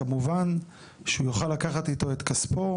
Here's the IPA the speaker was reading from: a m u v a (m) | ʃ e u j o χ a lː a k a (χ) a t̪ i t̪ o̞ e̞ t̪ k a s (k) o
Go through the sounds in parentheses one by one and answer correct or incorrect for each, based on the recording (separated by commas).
incorrect, correct, incorrect